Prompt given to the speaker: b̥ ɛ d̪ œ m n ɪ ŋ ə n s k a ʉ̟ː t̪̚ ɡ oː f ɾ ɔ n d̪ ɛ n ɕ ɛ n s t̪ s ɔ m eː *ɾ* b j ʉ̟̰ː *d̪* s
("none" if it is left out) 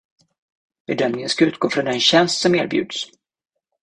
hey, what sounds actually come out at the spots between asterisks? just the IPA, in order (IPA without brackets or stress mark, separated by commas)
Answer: ɾ, d̪